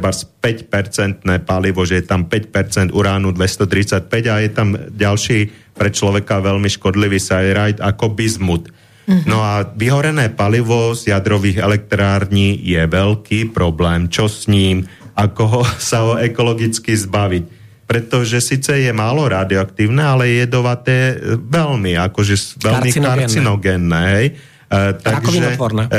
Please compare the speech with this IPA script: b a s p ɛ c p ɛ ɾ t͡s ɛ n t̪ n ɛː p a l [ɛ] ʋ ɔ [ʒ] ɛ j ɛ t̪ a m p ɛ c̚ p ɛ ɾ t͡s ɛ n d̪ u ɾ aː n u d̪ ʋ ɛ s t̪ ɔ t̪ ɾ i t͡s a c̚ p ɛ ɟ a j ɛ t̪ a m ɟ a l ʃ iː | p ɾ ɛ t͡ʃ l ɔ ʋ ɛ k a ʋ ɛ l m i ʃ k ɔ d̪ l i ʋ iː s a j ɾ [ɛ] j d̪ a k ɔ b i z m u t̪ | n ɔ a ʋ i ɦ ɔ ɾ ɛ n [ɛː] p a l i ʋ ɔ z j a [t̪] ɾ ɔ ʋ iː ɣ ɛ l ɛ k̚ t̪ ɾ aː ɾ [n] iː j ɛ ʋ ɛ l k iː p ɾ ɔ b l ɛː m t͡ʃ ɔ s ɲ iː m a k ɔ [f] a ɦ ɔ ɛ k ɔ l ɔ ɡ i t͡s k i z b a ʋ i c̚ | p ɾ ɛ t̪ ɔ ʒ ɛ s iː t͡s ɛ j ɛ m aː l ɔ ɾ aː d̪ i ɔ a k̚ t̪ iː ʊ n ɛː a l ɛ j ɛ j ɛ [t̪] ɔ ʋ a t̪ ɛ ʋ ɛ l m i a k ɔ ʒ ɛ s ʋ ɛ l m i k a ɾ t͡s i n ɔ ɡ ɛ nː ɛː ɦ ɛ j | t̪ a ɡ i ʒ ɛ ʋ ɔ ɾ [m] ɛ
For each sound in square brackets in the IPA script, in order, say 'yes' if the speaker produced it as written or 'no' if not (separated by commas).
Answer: no, yes, no, yes, no, no, no, no, no